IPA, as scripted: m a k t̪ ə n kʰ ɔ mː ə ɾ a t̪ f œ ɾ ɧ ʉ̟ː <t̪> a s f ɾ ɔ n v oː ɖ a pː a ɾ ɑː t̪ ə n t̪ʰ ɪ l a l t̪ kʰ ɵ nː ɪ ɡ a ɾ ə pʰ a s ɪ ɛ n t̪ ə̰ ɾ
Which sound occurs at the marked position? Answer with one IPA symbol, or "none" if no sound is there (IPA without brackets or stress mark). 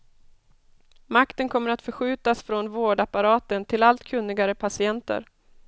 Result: t̪